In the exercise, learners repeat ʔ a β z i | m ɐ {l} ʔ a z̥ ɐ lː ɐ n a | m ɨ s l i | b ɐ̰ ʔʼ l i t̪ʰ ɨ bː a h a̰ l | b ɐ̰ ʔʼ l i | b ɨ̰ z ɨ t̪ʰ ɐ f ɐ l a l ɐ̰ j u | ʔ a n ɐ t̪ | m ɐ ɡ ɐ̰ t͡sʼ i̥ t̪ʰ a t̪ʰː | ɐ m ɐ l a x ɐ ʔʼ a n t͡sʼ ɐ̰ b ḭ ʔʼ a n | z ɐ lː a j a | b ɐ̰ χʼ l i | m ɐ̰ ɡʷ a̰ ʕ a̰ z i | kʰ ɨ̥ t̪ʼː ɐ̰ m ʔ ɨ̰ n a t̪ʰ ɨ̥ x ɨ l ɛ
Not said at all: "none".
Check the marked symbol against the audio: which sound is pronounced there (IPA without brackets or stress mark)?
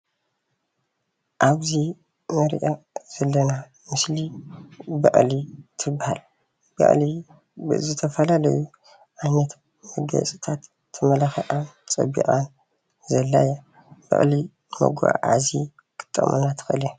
ɾ